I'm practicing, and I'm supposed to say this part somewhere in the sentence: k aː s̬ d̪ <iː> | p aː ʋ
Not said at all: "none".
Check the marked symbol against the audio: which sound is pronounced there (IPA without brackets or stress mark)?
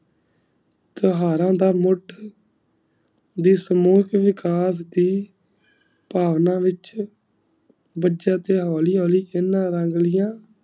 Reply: iː